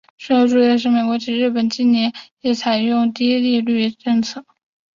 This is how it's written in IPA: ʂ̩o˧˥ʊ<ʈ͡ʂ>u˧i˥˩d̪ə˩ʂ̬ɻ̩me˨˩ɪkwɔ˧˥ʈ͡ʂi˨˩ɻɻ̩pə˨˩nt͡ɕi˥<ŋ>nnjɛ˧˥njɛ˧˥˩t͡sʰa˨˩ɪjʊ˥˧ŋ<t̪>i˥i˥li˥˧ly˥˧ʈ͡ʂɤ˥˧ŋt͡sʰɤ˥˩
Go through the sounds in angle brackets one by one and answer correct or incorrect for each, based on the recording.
correct, incorrect, correct

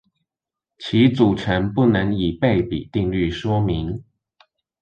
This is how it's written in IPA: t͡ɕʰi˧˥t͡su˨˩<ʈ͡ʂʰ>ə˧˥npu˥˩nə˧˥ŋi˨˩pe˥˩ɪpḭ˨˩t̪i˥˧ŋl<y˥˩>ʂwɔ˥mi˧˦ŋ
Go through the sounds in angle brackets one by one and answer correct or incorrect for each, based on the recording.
correct, correct

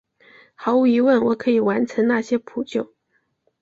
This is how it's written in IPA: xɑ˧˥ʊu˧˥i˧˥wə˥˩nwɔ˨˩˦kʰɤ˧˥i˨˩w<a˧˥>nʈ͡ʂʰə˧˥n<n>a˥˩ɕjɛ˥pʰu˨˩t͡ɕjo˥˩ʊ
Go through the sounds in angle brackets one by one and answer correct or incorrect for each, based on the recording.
correct, correct

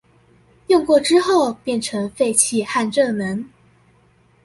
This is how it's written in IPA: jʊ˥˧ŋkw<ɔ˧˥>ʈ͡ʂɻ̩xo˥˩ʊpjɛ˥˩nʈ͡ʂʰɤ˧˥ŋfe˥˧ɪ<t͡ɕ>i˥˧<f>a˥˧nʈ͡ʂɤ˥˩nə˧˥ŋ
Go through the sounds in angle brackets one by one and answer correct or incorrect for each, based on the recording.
incorrect, incorrect, incorrect

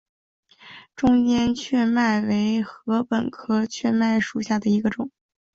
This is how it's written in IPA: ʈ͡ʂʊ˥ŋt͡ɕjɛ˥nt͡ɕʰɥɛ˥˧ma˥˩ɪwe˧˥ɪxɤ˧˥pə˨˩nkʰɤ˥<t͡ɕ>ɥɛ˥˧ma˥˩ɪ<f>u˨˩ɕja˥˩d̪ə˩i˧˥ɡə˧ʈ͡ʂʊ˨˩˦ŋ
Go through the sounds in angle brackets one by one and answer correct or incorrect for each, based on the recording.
incorrect, incorrect

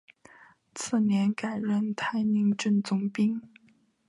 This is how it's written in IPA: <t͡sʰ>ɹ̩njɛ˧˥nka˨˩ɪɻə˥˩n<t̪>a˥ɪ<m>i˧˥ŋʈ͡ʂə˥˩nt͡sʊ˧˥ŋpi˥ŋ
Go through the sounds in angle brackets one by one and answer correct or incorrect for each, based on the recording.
correct, incorrect, incorrect

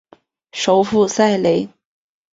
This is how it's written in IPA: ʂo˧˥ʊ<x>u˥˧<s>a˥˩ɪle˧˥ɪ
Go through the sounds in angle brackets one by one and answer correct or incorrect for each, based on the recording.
incorrect, correct

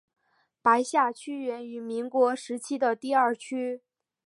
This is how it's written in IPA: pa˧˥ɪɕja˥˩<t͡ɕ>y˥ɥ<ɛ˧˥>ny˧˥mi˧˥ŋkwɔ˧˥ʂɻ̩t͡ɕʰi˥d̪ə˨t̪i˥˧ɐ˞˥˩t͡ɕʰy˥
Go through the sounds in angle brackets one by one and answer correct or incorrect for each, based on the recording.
incorrect, correct

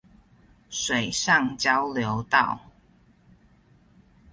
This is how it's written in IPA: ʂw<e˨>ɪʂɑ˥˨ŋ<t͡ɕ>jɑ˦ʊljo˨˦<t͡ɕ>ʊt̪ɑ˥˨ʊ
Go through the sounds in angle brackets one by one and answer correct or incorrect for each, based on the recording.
correct, correct, incorrect

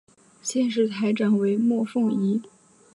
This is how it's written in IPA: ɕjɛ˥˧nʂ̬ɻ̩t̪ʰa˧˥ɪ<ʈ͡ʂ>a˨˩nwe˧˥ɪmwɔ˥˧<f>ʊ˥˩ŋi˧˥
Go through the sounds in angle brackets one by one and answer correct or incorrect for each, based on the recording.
correct, correct

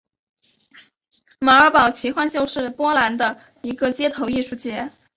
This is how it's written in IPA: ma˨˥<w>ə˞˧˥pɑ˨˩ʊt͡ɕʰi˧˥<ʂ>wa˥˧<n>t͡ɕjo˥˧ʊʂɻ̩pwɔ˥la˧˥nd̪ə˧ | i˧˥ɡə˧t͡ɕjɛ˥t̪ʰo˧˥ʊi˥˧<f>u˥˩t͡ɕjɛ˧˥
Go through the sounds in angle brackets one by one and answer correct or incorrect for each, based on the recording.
incorrect, incorrect, correct, incorrect

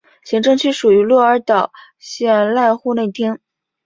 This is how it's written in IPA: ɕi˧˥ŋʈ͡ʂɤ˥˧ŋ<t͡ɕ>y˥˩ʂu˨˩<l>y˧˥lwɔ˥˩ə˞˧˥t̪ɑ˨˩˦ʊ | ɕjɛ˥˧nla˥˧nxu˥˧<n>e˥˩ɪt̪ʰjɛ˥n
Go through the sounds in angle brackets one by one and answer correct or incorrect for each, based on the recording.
incorrect, incorrect, correct

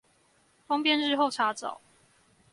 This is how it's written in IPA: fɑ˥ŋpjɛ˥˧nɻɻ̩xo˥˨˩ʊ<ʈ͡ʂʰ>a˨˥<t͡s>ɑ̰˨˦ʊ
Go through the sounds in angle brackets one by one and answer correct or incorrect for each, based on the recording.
correct, correct

